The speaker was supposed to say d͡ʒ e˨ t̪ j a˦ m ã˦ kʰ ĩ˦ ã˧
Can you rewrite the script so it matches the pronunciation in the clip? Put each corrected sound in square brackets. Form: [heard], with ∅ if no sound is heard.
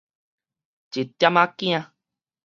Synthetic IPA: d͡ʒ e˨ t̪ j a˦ m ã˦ [k] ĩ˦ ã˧